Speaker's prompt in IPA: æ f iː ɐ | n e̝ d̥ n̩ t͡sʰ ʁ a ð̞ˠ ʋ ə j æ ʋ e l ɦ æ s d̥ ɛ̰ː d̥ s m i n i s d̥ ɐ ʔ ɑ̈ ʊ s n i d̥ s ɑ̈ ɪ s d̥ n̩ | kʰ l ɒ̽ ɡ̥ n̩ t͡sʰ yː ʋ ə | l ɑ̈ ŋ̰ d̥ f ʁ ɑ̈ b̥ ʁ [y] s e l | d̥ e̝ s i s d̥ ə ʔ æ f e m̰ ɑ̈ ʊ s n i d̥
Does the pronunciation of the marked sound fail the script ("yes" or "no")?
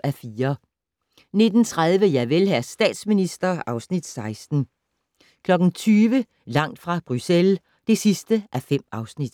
no